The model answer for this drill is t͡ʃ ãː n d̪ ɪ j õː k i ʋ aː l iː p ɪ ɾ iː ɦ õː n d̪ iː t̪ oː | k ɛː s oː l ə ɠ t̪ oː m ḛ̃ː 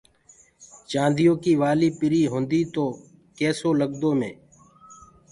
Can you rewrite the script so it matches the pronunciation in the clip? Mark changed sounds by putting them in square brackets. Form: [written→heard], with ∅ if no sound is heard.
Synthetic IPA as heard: t͡ʃ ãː n d̪ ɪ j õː k [i→iː] ʋ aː l iː p ɪ ɾ iː ɦ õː n d̪ iː t̪ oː | k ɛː s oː l ə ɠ [t̪→d̪] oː m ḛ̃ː